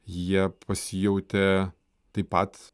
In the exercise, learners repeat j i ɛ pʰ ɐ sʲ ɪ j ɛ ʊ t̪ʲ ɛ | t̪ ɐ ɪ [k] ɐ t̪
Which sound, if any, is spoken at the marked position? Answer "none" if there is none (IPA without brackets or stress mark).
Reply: p